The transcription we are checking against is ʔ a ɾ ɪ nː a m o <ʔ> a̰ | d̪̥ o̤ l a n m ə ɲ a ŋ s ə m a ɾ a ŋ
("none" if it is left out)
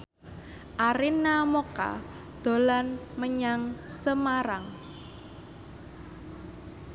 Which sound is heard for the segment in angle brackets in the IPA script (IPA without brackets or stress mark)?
k